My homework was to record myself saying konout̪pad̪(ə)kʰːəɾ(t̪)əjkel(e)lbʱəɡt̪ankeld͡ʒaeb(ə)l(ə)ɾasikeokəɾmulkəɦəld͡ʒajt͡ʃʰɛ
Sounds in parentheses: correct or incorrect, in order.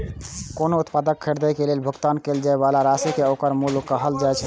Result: correct, incorrect: d̪, correct, incorrect: a, incorrect: a

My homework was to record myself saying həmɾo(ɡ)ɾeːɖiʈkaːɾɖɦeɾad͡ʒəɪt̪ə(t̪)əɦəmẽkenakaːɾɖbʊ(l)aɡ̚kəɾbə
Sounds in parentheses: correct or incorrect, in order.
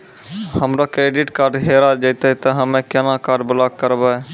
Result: incorrect: k, correct, correct

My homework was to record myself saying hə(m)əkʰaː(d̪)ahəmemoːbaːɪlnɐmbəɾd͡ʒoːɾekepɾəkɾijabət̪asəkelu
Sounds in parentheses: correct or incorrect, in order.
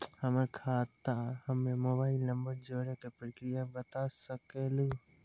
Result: correct, incorrect: t̪

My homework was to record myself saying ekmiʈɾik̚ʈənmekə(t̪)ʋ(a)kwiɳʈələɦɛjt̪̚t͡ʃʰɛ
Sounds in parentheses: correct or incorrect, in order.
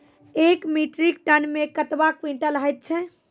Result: correct, correct

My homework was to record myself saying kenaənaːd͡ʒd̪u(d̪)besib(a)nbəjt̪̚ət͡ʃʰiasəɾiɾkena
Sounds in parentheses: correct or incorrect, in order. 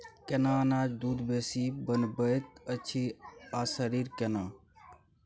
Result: correct, incorrect: ə

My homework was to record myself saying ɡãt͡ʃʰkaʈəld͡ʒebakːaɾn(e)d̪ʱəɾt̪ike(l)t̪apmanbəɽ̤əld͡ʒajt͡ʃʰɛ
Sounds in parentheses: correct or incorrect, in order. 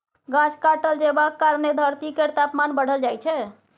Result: correct, incorrect: ɾ

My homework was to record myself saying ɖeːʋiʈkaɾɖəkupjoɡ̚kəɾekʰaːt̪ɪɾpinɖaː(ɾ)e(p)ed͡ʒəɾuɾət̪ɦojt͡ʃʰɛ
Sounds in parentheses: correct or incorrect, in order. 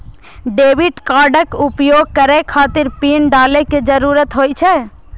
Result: incorrect: l, incorrect: k

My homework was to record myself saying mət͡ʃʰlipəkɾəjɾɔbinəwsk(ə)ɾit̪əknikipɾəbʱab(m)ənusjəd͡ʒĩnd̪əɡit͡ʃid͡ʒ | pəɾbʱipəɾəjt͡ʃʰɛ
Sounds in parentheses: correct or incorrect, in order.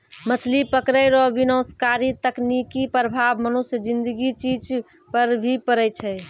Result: incorrect: a, correct

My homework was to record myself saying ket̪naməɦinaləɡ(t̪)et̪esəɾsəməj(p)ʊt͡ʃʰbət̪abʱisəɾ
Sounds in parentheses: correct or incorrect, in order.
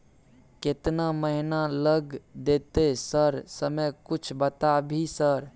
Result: incorrect: d̪, incorrect: k

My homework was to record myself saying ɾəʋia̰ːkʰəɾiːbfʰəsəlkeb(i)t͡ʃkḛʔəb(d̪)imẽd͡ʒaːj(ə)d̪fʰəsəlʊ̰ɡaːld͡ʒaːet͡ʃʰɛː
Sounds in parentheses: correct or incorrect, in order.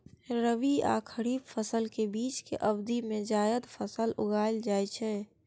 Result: incorrect: iː, correct, correct

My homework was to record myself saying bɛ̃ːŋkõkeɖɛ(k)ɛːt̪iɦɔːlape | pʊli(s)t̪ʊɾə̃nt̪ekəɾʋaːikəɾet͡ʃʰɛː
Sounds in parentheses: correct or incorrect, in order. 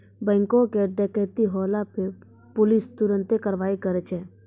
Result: correct, correct

